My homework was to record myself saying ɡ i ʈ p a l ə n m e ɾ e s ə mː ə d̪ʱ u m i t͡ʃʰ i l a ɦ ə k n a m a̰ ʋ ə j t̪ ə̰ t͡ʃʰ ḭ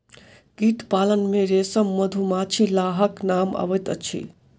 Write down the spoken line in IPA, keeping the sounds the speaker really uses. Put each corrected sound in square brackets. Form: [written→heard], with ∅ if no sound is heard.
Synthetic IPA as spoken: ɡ i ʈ p a l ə n m e ɾ e s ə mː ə d̪ʱ u m [i→a] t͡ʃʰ i l a ɦ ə k n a m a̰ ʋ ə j t̪ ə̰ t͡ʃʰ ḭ